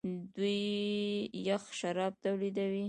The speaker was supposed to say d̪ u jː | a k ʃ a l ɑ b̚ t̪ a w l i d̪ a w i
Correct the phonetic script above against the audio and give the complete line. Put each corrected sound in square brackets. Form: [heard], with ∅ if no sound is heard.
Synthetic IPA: d̪ u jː | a [x] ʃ a [ɾ] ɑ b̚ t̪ a w l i d̪ a w i